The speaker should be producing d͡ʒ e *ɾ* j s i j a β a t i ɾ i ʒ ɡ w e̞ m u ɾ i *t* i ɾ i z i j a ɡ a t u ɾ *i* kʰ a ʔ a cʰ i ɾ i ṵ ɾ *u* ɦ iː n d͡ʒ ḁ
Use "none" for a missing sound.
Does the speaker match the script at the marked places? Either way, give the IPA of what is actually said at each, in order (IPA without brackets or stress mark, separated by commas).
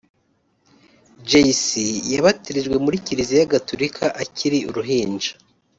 none, c, i, u